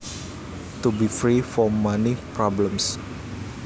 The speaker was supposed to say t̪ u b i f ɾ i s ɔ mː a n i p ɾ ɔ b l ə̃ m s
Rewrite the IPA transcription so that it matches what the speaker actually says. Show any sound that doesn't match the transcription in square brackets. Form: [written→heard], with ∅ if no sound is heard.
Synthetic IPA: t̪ u b i f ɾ i [s→f] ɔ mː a n i p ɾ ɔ b l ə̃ m s